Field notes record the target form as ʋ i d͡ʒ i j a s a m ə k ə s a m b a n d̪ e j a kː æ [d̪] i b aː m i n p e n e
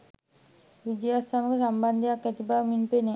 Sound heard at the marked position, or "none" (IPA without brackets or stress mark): t̪